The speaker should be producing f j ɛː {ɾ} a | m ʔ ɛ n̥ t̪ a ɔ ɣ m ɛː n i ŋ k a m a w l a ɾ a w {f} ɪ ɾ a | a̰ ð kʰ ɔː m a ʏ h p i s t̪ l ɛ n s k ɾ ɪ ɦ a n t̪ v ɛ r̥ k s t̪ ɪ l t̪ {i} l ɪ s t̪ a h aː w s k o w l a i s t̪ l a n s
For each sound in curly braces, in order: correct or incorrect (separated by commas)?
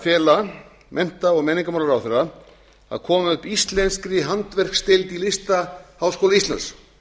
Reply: incorrect, incorrect, correct